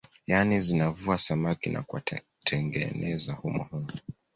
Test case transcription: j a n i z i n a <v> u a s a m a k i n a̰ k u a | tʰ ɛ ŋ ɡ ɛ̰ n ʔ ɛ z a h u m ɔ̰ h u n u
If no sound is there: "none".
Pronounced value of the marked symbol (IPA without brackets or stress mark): v